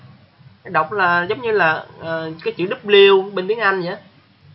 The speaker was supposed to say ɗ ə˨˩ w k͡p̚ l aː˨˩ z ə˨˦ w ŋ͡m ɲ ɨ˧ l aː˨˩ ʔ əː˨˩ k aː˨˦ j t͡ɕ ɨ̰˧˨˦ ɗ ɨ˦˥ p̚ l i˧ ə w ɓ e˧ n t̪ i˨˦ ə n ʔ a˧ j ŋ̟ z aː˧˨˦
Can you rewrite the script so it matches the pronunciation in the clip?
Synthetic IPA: ɗ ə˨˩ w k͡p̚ l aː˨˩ z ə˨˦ w ŋ͡m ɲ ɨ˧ l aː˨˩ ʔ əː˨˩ k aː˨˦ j t͡ɕ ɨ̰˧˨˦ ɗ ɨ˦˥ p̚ l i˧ ə w ɓ e˧ n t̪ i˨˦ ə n ʔ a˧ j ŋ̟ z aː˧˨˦

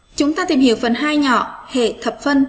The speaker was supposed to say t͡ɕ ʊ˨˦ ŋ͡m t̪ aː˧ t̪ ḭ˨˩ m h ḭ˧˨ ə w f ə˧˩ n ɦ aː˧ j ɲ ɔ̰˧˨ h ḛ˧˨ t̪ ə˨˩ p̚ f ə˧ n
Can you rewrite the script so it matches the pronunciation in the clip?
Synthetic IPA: t͡ɕ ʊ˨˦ ŋ͡m t̪ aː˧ t̪ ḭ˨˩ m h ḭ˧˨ ə w f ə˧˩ n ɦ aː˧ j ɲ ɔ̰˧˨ h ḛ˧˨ t̪ʰ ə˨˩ p̚ f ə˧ n

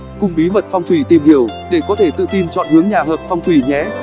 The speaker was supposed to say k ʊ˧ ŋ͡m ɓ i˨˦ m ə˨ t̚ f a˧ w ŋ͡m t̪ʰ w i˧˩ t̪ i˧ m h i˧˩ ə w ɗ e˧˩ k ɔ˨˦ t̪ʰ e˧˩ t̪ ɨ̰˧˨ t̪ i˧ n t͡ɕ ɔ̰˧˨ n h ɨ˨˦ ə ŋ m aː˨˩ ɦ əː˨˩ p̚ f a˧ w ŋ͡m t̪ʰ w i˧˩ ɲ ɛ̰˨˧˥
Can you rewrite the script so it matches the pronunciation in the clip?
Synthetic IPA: k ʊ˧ ŋ͡m ɓ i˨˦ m ə˨ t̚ f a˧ w ŋ͡m t̪ʰ w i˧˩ t̪ i˨˩ m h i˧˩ ə w ɗ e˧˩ k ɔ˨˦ t̪ʰ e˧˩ t̪ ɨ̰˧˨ t̪ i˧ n t͡ɕ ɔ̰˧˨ n h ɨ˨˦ ə ŋ ɲ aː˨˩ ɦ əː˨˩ p̚ f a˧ w ŋ͡m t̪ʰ w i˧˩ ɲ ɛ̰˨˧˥

